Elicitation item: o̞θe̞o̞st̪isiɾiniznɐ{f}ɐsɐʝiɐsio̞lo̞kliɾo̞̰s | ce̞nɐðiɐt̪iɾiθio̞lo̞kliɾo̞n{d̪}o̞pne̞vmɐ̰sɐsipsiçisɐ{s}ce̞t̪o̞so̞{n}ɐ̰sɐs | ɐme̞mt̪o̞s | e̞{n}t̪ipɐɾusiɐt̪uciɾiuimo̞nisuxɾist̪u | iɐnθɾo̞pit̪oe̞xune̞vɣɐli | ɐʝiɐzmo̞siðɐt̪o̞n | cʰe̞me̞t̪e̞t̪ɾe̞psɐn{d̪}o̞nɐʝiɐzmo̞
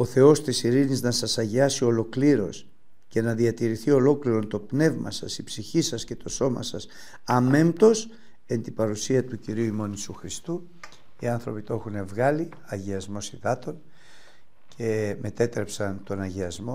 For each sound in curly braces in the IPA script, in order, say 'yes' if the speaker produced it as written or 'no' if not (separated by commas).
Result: no, no, yes, no, yes, no